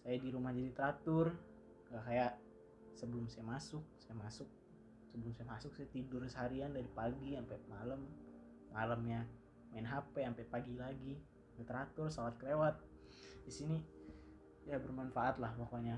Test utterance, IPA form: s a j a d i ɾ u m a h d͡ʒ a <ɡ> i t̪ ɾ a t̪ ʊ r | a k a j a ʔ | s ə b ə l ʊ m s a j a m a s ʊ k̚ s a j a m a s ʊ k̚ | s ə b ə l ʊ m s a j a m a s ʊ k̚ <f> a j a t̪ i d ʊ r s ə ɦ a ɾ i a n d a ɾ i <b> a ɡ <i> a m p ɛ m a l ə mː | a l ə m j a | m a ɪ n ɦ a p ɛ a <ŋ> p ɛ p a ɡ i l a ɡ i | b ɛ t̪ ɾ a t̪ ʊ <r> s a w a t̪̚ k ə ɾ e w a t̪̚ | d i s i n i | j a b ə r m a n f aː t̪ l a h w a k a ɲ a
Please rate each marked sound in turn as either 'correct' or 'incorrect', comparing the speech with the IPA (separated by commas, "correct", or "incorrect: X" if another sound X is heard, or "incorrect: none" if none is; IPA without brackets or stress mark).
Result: incorrect: d, incorrect: s, incorrect: p, correct, incorrect: m, correct